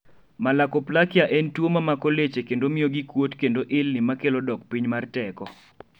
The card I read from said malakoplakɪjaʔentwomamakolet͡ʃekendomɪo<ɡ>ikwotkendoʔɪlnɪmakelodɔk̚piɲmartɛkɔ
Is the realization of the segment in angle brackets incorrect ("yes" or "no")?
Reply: no